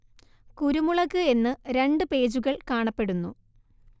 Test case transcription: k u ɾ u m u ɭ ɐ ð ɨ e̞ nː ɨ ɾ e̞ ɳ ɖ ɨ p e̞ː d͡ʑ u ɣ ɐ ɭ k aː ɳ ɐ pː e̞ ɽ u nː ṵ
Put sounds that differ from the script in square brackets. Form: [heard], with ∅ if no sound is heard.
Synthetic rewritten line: k u ɾ u m u ɭ ɐ [ɣ] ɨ e̞ nː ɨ ɾ e̞ ɳ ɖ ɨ p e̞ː d͡ʑ u ɣ ɐ ɭ k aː ɳ ɐ pː e̞ ɽ u nː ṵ

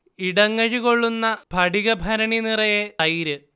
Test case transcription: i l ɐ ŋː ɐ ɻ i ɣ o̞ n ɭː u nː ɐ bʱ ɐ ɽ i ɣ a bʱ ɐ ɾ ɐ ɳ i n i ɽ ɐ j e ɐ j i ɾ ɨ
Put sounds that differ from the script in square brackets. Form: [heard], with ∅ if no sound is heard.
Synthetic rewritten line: i [ɽ] ɐ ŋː ɐ ɻ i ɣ o̞ [∅] ɭː u nː ɐ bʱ ɐ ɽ i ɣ [ɐ] bʱ ɐ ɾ ɐ ɳ i n i [r] ɐ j e ɐ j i ɾ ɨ

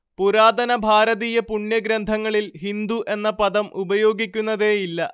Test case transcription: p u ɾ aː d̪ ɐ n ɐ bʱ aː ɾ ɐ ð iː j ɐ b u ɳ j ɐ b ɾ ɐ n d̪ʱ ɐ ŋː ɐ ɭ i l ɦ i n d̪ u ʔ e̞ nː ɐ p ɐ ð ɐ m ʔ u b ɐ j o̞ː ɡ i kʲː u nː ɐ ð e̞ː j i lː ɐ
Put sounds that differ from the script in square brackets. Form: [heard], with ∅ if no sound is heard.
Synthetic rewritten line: p u ɾ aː d̪ ɐ n ɐ bʱ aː ɾ ɐ ð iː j ɐ [p] u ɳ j ɐ [ɡ] ɾ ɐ n d̪ʱ ɐ ŋː ɐ ɭ i l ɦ i n d̪ u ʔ e̞ nː ɐ p ɐ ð ɐ m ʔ u b ɐ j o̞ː ɡ i kʲː u nː ɐ ð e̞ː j i lː ɐ

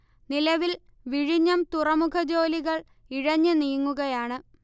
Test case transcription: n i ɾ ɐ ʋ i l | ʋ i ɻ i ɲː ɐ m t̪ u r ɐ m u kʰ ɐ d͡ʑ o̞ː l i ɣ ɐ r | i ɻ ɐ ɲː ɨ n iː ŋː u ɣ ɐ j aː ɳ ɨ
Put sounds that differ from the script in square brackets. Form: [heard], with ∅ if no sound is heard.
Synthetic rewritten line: n i [l] ɐ ʋ i l | ʋ i ɻ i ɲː ɐ m t̪ u r ɐ m u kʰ ɐ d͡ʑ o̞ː l i ɣ ɐ [ɭ] | i ɻ ɐ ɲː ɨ n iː ŋː u ɣ ɐ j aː ɳ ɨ

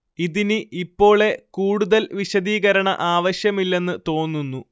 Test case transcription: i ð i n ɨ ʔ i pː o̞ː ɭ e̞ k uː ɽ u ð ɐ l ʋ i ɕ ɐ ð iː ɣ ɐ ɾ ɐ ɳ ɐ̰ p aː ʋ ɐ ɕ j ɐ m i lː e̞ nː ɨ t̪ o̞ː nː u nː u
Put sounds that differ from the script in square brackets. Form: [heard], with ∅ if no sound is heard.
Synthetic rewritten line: i ð i n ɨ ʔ i pː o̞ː ɭ e̞ k uː ɽ u ð ɐ l ʋ i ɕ ɐ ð iː ɣ ɐ ɾ ɐ ɳ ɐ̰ [ʔ] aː ʋ ɐ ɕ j ɐ m i lː e̞ nː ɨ t̪ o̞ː nː u nː u

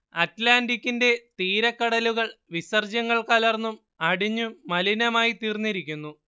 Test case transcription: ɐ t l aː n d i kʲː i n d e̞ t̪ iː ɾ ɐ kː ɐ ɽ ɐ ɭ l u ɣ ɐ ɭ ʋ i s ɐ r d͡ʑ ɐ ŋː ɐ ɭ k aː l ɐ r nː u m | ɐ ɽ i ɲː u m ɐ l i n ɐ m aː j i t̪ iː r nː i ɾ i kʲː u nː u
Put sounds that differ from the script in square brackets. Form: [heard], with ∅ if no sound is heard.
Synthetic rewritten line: ɐ t l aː n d i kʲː i n d e̞ t̪ iː ɾ ɐ kː ɐ ɽ ɐ [∅] l u ɣ ɐ ɭ ʋ i s ɐ r d͡ʑ ɐ ŋː ɐ ɭ k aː l ɐ r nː u m | ɐ ɽ i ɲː u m ɐ l i n ɐ m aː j i t̪ iː r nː i ɾ i kʲː u nː u

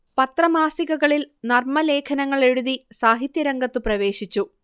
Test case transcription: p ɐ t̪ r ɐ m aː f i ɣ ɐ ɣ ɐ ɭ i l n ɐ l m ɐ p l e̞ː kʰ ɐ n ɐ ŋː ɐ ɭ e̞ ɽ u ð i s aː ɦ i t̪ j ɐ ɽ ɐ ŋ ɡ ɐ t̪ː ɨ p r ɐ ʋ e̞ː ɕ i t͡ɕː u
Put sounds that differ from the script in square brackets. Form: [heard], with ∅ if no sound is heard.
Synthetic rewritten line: p ɐ t̪ r ɐ m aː [s] i ɣ ɐ ɣ ɐ ɭ i l n ɐ [r] m ɐ [∅] l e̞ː kʰ ɐ n ɐ ŋː ɐ ɭ e̞ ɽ u ð i s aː ɦ i t̪ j ɐ [ɾ] ɐ ŋ ɡ ɐ t̪ː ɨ p r ɐ ʋ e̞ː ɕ i t͡ɕː u

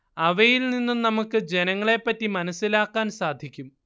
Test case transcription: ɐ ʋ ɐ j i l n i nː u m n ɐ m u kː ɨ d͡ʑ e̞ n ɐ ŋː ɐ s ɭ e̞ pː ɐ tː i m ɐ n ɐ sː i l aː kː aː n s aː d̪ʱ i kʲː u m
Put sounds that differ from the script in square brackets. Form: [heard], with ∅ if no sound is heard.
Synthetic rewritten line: ɐ ʋ ɐ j i l n i nː u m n ɐ m u kː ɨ d͡ʑ e̞ n ɐ ŋː ɐ [∅] ɭ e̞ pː ɐ tː i m ɐ n ɐ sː i l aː kː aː n s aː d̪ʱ i kʲː u m

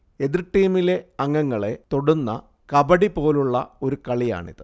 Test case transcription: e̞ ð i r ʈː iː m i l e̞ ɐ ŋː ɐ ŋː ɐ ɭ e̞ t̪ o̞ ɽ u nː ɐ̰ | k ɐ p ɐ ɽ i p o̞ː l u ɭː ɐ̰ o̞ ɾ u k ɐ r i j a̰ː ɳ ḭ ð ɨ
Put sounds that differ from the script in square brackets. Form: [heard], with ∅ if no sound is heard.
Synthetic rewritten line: e̞ ð i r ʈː iː m i l e̞ ɐ ŋː ɐ ŋː ɐ ɭ e̞ t̪ o̞ ɽ u nː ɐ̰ | k ɐ [b] ɐ ɽ i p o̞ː l u ɭː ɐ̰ o̞ ɾ u k ɐ [ɭ] i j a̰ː ɳ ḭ ð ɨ

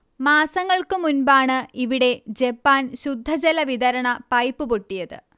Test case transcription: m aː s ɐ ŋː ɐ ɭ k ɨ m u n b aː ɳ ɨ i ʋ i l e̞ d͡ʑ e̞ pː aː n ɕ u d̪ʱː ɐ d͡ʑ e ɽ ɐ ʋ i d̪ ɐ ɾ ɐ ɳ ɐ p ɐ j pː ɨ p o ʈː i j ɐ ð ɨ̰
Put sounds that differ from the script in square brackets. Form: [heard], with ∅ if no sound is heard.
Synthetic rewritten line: m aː s ɐ ŋː ɐ ɭ k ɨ m u n b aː ɳ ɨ i ʋ i [ɽ] e̞ d͡ʑ e̞ pː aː n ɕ u d̪ʱː ɐ d͡ʑ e [l] ɐ ʋ i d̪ ɐ ɾ ɐ ɳ ɐ p ɐ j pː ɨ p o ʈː i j ɐ ð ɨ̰

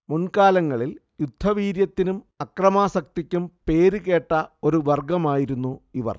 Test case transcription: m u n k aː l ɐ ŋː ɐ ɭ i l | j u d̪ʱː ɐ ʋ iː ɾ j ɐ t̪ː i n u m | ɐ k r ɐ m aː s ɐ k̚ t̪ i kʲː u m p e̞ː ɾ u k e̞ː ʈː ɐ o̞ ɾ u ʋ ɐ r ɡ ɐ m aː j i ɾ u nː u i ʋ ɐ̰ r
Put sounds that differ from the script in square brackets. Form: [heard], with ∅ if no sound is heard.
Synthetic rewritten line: m u n k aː l ɐ ŋː ɐ ɭ i l | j u d̪ʱː ɐ ʋ iː ɾ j ɐ t̪ː i n u m | ɐ k r ɐ m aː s ɐ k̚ t̪ i kʲː u m p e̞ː ɾ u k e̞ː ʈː ɐ o̞ ɾ u ʋ ɐ r ɡ ɐ m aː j i ɾ u nː u i ʋ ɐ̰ r

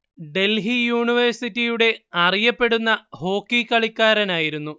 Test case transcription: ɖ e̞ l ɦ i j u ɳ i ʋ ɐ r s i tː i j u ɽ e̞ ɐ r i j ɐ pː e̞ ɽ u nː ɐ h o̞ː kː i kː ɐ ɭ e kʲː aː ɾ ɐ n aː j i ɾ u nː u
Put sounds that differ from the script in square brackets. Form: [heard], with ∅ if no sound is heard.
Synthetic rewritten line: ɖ e̞ l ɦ i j [uː] ɳ i ʋ ɐ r s i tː i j u ɽ e̞ ɐ r i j ɐ pː e̞ ɽ u nː ɐ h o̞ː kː i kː ɐ ɭ [i] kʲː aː ɾ ɐ n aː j i ɾ u nː u

